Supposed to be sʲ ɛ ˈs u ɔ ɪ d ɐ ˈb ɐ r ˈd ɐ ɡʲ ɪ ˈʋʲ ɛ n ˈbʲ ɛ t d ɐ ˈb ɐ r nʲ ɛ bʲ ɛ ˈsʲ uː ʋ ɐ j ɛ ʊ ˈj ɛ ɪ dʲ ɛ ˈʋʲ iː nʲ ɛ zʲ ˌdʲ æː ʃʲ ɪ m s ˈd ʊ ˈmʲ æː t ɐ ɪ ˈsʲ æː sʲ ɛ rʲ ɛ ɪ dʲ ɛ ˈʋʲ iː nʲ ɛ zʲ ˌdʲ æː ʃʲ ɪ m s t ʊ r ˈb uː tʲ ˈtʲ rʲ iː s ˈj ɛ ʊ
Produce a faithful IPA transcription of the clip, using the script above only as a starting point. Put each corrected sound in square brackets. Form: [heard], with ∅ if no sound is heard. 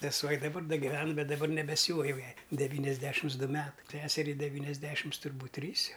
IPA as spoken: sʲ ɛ ˈs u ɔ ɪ d ɐ ˈb ɐ r ˈd ɐ ɡʲ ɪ ˈʋʲ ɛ n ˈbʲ ɛ t d ɐ ˈb ɐ r nʲ ɛ bʲ ɛ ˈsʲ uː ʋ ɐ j ɛ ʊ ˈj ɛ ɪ dʲ ɛ ˈʋʲ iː nʲ ɛ zʲ ˌdʲ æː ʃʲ ɪ m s ˈd ʊ ˈmʲ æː t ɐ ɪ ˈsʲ æː sʲ ɛ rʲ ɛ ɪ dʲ ɛ ˈʋʲ iː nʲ ɛ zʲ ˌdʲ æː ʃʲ ɪ m s t ʊ r ˈb uː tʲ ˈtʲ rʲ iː s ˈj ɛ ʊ